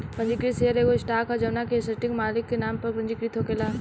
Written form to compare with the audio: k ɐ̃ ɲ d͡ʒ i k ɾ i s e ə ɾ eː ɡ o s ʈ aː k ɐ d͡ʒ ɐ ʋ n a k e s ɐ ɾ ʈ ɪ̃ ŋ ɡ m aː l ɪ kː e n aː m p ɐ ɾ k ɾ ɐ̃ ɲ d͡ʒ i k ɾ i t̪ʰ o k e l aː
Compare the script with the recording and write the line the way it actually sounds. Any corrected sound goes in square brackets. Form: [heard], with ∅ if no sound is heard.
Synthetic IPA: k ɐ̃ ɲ d͡ʒ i k ɾ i s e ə ɾ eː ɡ o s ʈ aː k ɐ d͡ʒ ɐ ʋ n a k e s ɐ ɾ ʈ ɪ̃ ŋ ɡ m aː l ɪ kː e n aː m p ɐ ɾ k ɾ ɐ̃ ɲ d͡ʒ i k ɾ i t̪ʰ o k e l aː